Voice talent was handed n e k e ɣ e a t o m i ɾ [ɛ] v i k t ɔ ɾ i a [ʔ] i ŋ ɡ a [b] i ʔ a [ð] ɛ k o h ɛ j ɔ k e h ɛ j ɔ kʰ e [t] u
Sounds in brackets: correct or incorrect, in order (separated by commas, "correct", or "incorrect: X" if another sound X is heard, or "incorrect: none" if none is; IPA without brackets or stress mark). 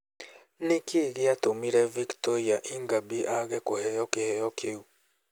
correct, correct, correct, incorrect: ɣ, incorrect: none